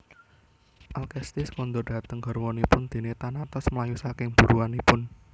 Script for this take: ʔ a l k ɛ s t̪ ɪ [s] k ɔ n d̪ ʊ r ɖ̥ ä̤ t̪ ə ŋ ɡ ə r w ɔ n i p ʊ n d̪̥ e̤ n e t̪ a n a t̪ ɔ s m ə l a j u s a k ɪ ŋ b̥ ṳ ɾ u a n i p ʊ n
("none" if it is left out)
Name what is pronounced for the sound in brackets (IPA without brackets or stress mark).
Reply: s